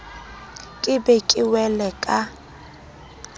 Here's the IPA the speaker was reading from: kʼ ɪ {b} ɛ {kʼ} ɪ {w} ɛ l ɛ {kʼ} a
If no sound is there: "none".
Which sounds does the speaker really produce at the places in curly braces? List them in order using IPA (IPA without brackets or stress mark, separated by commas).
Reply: b, kʼ, w, kʼ